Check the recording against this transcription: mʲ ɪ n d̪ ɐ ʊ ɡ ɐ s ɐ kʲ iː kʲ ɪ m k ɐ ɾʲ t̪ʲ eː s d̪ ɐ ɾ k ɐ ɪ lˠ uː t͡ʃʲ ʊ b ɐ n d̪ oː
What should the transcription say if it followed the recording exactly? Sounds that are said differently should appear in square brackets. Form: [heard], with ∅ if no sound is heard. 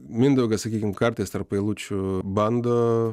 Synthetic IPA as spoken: mʲ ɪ n d̪ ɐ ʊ ɡ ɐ s ɐ kʲ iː kʲ ɪ m k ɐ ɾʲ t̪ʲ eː s [t̪] ɐ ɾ [p] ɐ ɪ lˠ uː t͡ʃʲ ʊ b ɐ n d̪ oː